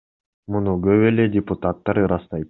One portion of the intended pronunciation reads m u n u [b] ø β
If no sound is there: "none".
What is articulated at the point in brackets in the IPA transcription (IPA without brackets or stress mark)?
ɡ